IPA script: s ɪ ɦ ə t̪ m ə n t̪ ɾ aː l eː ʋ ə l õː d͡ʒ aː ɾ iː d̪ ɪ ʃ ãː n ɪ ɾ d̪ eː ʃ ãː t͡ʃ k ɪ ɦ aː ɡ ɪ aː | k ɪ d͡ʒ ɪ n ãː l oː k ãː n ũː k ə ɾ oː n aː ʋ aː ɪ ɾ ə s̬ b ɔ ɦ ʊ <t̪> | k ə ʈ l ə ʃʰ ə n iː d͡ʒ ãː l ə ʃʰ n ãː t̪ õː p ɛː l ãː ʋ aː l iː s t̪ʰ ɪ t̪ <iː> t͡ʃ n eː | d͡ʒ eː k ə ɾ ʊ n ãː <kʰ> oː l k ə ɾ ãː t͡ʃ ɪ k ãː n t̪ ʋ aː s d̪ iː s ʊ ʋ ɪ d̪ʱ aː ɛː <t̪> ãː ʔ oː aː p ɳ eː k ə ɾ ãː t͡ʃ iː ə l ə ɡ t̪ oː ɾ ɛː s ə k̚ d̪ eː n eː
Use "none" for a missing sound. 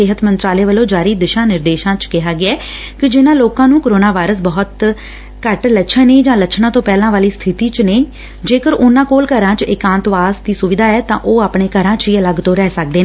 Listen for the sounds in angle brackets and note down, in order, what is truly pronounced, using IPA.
t̪, iː, k, t̪

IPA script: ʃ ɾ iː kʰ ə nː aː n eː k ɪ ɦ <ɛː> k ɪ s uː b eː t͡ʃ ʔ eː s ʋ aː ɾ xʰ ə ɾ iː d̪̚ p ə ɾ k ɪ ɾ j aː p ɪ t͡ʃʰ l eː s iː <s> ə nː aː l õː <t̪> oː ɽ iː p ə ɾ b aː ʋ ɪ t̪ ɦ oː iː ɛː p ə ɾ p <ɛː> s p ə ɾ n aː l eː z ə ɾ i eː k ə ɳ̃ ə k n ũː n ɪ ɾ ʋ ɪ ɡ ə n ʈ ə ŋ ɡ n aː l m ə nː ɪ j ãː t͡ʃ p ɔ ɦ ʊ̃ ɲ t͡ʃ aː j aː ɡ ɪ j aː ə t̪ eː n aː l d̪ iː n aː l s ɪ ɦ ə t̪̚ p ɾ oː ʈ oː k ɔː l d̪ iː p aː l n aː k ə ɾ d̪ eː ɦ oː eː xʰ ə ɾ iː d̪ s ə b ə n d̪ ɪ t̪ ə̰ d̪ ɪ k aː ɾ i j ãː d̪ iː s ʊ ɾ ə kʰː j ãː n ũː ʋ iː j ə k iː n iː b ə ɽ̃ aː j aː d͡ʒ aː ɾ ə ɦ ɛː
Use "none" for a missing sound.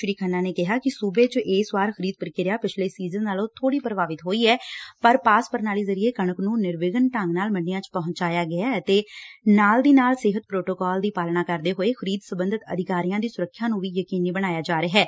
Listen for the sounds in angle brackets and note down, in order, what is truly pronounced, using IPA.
aː, z, t̪ʰ, aː

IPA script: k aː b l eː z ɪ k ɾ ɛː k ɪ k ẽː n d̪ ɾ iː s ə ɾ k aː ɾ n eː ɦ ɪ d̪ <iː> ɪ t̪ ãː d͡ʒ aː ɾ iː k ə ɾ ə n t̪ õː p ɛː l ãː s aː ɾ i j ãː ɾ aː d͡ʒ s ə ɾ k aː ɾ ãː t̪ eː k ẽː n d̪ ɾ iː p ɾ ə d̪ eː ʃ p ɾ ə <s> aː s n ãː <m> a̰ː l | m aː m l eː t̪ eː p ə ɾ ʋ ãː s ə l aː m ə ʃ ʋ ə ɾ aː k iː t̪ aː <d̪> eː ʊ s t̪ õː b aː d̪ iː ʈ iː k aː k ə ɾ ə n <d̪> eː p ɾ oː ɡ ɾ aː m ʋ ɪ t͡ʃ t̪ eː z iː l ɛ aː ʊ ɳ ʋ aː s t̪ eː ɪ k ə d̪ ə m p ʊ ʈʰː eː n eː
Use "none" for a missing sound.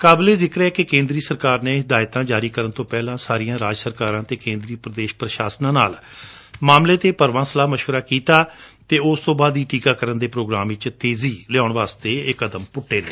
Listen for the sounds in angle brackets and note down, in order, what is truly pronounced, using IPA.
aː, ʃ, n, t̪, d̪

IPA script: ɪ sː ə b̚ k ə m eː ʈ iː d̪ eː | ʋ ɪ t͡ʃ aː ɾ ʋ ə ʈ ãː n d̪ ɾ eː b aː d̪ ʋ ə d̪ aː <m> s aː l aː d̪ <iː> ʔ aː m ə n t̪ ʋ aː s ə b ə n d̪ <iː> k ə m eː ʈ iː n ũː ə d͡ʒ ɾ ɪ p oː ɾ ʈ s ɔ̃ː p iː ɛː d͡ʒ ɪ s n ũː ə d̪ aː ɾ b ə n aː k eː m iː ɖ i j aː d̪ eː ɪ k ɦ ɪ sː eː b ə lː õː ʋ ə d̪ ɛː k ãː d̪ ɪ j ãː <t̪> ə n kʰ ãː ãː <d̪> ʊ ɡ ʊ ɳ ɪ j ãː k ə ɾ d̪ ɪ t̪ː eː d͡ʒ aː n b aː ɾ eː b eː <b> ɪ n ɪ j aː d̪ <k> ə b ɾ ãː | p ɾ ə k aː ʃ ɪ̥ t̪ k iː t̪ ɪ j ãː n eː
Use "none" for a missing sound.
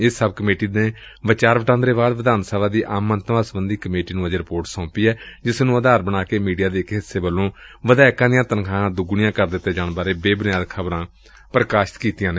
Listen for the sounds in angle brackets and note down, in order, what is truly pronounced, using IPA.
n, iː, iː, t̪, d̪, b, kʰ

